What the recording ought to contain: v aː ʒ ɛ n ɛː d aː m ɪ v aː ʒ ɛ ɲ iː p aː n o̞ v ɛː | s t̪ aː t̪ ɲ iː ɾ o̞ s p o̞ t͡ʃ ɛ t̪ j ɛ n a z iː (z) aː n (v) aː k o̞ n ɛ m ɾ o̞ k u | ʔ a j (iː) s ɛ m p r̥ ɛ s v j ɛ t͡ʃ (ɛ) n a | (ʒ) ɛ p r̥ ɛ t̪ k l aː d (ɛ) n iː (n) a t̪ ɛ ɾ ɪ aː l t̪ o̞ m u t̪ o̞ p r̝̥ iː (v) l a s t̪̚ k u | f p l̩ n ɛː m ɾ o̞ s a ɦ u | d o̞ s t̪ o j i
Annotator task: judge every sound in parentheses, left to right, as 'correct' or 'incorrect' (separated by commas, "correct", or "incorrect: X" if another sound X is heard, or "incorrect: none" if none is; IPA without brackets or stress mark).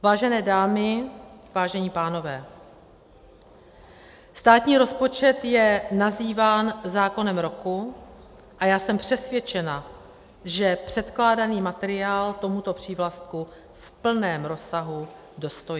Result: incorrect: v, incorrect: z, incorrect: aː, correct, correct, incorrect: a, incorrect: m, correct